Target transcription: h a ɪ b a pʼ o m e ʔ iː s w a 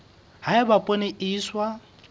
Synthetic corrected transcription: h a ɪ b a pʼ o n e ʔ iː s w a